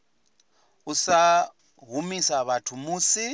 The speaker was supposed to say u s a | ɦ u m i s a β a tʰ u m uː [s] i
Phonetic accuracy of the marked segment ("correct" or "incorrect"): correct